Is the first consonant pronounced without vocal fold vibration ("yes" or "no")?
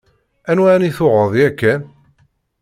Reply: no